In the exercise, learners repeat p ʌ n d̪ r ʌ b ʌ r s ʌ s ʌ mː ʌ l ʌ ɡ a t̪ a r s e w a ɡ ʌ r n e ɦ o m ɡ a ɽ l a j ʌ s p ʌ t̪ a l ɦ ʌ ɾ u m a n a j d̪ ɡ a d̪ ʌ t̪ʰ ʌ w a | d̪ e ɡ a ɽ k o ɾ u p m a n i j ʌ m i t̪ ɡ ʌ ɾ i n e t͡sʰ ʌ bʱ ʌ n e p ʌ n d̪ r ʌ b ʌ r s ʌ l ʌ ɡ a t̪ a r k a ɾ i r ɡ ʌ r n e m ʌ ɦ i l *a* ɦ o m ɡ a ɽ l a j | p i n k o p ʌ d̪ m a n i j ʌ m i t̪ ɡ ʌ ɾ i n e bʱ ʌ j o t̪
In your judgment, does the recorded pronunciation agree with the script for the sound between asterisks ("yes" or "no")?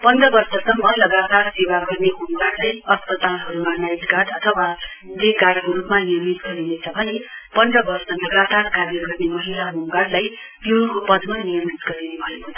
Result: yes